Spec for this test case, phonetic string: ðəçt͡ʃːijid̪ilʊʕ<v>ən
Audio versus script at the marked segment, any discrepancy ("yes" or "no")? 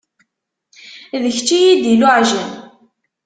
yes